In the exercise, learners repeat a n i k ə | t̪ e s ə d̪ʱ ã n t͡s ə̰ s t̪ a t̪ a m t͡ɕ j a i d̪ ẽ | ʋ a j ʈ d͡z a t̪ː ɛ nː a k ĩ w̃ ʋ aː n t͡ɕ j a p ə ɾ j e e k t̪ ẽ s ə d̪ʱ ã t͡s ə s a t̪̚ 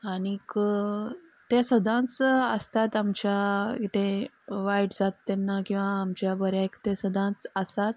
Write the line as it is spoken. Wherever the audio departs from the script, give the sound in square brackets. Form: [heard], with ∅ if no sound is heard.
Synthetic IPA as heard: a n i k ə | t̪ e s ə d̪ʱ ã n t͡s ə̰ s t̪ a t̪ a m t͡ɕ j a i [t̪] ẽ | ʋ a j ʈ d͡z a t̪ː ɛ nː a k ĩ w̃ ʋ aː [m] t͡ɕ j a [b] ə ɾ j [a] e k t̪ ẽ s ə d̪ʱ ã t͡s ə s a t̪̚